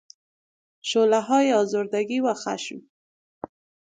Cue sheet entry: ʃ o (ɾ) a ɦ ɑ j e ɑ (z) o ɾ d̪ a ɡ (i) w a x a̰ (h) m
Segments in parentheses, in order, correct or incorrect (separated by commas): incorrect, correct, correct, incorrect